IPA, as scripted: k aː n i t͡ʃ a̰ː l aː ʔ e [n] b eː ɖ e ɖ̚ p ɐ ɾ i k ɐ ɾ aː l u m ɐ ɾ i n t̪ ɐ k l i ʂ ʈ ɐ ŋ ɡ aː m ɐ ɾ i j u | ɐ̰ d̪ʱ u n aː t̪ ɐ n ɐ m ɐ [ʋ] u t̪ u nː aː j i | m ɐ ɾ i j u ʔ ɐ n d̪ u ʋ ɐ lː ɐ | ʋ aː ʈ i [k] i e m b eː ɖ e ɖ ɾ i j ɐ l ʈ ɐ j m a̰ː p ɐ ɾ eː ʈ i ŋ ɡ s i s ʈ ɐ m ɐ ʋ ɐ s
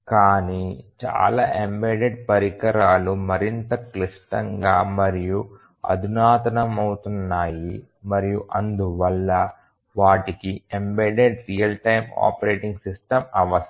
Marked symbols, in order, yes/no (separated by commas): no, no, yes